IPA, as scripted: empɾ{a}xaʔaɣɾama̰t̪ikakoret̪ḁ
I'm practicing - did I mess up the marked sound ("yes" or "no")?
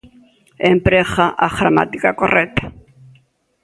yes